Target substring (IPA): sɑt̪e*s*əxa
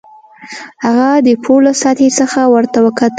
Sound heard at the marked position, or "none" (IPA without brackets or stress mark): s